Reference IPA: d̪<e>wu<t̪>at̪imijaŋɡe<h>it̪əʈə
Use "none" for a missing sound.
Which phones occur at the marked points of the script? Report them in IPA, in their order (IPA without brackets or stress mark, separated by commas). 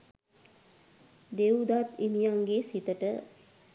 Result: e, d̪, s